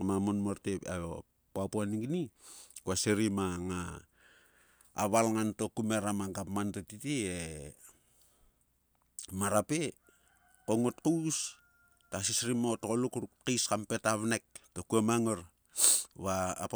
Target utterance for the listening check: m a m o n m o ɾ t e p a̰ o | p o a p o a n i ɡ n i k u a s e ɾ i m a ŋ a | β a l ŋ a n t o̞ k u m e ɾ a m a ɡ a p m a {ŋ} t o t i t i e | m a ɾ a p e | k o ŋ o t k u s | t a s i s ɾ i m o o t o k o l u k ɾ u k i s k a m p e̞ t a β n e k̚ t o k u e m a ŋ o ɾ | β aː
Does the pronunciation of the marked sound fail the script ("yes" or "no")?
yes